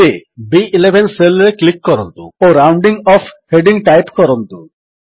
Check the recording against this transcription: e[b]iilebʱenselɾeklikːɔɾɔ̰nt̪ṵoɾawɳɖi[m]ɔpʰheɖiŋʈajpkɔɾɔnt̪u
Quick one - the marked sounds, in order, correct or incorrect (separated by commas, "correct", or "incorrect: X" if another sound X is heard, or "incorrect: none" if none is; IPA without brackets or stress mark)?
correct, incorrect: ŋ